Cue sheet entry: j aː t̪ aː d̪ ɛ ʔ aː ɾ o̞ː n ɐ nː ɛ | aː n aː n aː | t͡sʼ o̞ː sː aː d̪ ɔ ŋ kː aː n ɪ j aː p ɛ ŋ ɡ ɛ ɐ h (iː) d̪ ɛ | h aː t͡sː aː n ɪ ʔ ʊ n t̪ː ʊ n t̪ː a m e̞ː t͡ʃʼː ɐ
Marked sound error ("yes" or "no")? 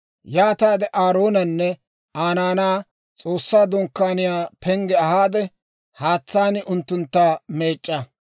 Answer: yes